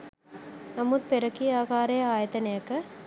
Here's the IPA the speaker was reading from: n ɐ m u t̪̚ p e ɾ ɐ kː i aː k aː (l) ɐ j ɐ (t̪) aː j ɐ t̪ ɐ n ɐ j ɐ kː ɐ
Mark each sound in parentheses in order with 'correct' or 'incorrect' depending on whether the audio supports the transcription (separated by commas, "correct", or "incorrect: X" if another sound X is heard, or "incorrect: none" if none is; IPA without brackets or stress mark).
incorrect: ɾ, incorrect: none